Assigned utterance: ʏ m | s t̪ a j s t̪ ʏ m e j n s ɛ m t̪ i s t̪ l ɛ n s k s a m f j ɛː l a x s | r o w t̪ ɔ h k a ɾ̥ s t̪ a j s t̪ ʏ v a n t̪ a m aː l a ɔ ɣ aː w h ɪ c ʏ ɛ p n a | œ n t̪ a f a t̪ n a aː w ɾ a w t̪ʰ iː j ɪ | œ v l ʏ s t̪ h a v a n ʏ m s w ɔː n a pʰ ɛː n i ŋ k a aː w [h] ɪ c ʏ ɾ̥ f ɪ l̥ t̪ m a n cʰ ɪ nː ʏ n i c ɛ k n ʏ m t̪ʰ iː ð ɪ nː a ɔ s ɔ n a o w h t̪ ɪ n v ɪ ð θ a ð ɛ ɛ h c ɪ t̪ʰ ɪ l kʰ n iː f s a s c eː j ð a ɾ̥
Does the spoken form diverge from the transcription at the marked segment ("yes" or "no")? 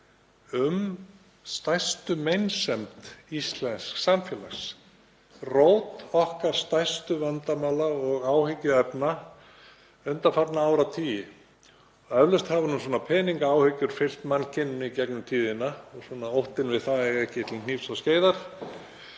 no